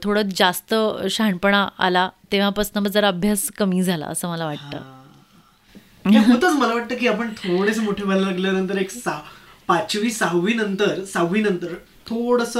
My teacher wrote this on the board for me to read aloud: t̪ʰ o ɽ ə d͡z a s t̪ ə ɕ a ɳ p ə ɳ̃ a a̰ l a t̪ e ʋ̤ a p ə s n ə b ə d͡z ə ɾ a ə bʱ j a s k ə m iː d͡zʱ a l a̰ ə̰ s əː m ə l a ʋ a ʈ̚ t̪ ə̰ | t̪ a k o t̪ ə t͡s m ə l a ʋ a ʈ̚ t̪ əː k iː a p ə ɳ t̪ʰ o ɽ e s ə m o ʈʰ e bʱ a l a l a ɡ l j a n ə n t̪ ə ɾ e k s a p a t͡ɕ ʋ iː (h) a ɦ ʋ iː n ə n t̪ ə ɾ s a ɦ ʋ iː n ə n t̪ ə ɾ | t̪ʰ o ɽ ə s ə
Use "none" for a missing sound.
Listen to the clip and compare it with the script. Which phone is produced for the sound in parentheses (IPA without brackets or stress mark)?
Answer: s